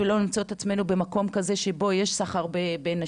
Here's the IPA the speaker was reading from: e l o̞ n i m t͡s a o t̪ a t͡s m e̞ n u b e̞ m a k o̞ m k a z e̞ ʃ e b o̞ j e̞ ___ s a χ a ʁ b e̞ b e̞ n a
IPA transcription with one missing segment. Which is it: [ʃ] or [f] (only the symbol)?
ʃ